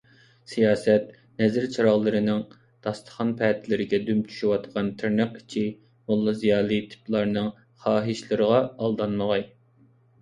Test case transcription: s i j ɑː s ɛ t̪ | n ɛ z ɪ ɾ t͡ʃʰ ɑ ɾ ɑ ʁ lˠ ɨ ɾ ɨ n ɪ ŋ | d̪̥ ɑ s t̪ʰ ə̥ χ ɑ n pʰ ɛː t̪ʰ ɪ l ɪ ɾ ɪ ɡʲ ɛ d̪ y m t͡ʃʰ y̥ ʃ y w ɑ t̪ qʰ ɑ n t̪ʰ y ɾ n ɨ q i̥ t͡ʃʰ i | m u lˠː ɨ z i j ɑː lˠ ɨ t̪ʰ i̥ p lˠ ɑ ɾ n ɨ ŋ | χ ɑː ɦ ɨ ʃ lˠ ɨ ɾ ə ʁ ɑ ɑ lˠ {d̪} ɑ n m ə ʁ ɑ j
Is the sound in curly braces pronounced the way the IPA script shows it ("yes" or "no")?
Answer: yes